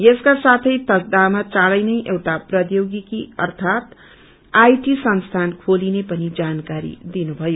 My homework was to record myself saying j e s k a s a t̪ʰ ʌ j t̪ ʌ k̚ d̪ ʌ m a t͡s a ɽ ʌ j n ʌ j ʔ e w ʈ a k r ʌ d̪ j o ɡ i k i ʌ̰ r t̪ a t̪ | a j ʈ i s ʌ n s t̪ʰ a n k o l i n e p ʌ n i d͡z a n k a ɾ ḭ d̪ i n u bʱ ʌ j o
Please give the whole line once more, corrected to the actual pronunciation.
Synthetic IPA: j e s k a s a t̪ʰ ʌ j t̪ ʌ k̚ d̪ a m a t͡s a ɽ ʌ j n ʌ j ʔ e w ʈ a p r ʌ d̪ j o ɡ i k i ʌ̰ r t̪ʰ a t̪ | a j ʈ i s ʌ n s t̪ʰ a n kʰ o l i n e p ʌ n i d͡z a n k a ɾ ḭ d̪ i n u bʱ ʌ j o